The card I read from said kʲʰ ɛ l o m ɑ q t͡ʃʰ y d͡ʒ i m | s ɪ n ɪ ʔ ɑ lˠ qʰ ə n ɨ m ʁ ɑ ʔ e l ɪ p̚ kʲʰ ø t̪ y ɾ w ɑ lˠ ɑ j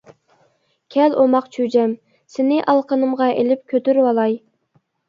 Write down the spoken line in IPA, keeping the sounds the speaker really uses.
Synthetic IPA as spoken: kʲʰ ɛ l o m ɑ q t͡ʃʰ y d͡ʒ ɛ m | s ɪ n ɪ ʔ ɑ lˠ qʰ ə n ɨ m ʁ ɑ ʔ e l ɪ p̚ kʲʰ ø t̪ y ɾ w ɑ lˠ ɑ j

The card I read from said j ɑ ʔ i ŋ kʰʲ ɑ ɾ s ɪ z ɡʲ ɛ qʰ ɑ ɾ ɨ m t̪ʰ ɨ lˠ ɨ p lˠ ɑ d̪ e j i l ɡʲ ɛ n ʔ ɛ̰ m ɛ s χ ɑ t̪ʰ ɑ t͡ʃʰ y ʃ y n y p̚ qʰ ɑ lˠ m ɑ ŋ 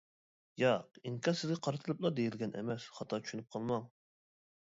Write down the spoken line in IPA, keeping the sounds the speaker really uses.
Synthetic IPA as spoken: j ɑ q i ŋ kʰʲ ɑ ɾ s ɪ z ɡʲ ɛ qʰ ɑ ɾ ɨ t̪ʰ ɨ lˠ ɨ p lˠ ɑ d̪ e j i l ɡʲ ɛ n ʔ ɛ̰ m ɛ s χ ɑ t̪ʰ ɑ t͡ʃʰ y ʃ y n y p̚ qʰ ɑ lˠ m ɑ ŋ

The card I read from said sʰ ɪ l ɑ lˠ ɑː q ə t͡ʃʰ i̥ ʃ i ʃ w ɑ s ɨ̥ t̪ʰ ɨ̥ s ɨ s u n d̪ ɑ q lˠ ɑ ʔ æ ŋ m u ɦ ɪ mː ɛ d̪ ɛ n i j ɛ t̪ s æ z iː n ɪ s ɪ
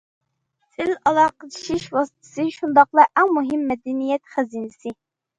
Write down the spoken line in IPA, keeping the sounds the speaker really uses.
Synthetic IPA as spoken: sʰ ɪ l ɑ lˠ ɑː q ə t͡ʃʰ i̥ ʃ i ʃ w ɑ s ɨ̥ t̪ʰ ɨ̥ s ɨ ʃ u n d̪ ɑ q lˠ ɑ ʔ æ ŋ m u ɦ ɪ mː ɛ d̪ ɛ n i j ɛ t̪ χ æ z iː n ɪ s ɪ

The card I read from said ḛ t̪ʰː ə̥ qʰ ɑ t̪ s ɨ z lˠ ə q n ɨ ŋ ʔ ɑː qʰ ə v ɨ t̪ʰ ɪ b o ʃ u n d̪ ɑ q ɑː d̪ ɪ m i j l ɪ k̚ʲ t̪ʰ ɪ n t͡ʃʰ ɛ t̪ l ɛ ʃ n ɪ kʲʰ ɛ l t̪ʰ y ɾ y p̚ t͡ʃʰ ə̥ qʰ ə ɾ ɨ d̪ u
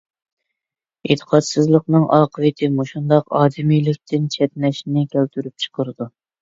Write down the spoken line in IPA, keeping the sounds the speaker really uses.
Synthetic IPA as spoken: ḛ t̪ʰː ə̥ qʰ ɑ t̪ s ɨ z lˠ ə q n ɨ ŋ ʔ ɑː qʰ ə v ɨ t̪ʰ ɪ m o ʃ u n d̪ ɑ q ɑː d̪ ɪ m i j l ɪ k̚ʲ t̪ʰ ɪ n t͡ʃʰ ɛ t̪ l ɛ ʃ n ɪ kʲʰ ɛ l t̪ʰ y ɾ y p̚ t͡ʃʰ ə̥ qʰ ə ɾ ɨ d̪ u

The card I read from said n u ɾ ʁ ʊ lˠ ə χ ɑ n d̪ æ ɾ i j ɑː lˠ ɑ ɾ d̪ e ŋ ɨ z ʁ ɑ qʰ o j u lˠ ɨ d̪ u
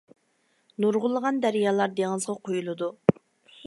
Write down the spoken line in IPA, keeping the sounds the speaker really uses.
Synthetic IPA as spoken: n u ɾ ʁ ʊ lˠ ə ʁ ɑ n d̪ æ ɾ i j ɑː lˠ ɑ ɾ d̪ e ŋ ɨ z ʁ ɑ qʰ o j u lˠ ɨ d̪ u

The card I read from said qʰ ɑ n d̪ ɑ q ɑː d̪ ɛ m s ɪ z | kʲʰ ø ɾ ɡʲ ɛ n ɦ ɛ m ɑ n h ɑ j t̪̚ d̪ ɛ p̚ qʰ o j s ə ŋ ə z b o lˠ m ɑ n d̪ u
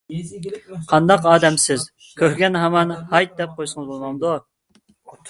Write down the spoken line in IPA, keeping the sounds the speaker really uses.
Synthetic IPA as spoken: qʰ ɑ n d̪ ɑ q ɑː d̪ ɛ m s ɪ z | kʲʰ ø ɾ ɡʲ ɛ n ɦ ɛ m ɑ n h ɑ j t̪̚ d̪ ɛ p̚ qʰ o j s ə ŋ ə z b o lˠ m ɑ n d̪ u

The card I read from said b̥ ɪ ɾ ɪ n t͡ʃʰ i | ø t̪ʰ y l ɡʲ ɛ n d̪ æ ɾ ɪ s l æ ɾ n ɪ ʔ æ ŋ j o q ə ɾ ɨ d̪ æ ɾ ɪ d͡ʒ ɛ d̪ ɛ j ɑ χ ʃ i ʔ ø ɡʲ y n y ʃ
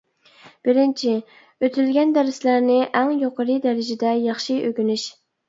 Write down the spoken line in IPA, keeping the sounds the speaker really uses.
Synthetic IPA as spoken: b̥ ɪ ɾ ɪ n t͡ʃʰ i | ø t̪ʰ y l ɡʲ ɛ n d̪ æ ɾ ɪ s l æ ɾ n ɪ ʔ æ ŋ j o q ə ɾ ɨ d̪ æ ɾ ɪ d͡ʒ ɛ d̪ ɛ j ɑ χ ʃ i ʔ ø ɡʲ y n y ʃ

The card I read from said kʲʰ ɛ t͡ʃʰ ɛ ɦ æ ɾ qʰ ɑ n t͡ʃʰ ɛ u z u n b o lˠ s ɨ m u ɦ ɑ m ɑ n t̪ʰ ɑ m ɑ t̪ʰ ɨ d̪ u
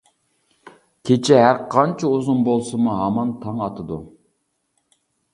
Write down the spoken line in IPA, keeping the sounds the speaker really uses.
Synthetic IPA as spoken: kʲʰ e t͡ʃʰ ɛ ɦ æ ɾ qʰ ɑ n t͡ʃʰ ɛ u z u n b o lˠ s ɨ m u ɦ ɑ m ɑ n t̪ʰ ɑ ŋ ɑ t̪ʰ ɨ d̪ u

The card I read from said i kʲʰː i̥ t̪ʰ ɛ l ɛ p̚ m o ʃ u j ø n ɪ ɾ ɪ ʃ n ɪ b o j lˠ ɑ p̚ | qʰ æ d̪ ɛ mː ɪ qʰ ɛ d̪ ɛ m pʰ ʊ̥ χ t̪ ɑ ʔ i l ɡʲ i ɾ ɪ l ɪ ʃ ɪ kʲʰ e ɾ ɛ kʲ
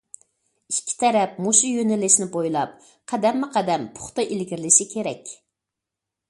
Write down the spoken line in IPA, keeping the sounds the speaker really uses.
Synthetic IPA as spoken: i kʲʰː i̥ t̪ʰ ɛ ɾ ɛ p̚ m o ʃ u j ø n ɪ l ɪ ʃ n ɪ b o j lˠ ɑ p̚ | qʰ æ d̪ ɛ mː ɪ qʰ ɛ d̪ ɛ m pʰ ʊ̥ χ t̪ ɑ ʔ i l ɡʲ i ɾ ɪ l ɪ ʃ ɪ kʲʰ e ɾ ɛ kʲ

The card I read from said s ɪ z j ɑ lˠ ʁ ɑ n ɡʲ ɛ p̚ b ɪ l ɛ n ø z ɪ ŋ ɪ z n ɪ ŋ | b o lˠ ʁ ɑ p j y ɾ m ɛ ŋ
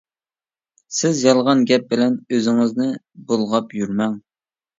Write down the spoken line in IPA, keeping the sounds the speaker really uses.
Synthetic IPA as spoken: s ɪ z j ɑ lˠ ʁ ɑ n ɡʲ ɛ p̚ b ɪ l ɛ n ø z ɪ ŋ ɪ z n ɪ | b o lˠ ʁ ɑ p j y ɾ m ɛ ŋ

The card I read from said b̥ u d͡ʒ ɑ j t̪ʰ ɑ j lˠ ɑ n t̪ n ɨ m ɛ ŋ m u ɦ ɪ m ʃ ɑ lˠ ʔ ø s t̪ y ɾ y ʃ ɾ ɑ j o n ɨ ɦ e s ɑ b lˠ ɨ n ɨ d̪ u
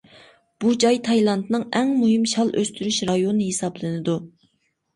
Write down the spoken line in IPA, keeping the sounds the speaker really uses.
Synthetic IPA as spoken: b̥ u d͡ʒ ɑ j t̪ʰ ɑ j lˠ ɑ n t̪ n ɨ ŋ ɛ ŋ m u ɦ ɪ m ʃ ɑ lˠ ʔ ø s t̪ y ɾ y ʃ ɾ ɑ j o n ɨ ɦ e s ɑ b lˠ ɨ n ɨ d̪ u

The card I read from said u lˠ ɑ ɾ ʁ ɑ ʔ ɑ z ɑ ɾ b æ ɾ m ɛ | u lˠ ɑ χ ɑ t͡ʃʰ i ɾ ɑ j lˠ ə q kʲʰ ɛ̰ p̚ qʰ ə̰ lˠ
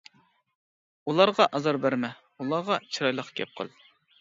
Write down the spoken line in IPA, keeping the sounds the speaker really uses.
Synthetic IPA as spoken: u lˠ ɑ ɾ ʁ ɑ ʔ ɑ z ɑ ɾ b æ ɾ m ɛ | u lˠ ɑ ʁ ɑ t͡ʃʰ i ɾ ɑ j lˠ ə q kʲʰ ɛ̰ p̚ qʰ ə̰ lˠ

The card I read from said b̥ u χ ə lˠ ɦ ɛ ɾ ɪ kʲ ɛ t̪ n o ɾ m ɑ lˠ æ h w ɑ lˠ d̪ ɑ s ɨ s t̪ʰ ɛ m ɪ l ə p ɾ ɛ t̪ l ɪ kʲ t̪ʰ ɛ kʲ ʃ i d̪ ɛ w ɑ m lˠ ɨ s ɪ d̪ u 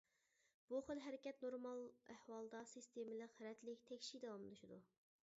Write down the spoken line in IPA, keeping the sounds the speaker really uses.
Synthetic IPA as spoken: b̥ u χ ə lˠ ɦ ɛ ɾ ɪ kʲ ɛ t̪ n o ɾ m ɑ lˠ æ h w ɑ lˠ d̪ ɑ s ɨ s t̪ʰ e m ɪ l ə q ɾ ɛ t̪ l ɪ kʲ t̪ʰ ɛ kʲ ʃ i d̪ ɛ w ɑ m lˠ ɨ ʃ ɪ d̪ u

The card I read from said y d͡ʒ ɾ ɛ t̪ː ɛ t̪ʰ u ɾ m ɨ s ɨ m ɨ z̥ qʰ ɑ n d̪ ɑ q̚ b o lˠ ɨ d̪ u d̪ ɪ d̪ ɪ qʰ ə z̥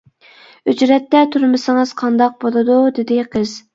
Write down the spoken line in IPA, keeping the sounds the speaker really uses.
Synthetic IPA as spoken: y d͡ʒ ɾ ɛ t̪ː ɛ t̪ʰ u ɾ m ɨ s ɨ ŋ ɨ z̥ qʰ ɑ n d̪ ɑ q̚ b o lˠ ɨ d̪ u d̪ ɪ d̪ ɪ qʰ ə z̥

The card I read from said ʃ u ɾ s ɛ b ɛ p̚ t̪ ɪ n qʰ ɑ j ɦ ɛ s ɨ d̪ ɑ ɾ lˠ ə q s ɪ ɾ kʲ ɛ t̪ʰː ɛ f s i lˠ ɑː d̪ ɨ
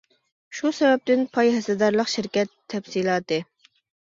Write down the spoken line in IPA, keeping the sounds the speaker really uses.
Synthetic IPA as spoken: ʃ u s ɛ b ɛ p̚ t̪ ɪ n pʰ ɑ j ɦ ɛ s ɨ d̪ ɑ ɾ lˠ ə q ʃ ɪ ɾ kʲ ɛ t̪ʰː ɛ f s i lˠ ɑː t̪ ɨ

